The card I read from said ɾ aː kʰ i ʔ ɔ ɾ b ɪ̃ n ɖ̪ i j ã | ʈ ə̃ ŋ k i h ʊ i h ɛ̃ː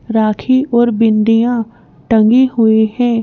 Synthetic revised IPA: ɾ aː kʰ i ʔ ɔː ɾ b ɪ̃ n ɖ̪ i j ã | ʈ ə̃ ŋ ɡ i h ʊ i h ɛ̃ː